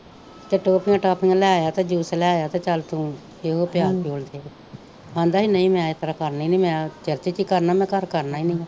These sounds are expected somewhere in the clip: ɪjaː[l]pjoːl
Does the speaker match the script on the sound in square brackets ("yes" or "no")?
no